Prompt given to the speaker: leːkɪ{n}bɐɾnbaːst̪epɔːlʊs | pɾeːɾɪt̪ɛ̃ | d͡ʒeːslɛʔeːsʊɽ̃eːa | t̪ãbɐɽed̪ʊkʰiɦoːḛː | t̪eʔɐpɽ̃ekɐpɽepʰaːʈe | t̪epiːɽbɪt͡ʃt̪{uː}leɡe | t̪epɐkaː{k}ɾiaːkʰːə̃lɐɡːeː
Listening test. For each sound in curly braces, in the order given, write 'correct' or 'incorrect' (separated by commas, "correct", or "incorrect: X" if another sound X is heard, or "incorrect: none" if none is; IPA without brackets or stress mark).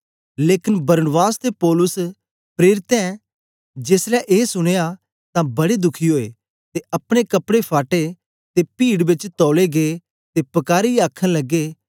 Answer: correct, incorrect: ɔː, incorrect: none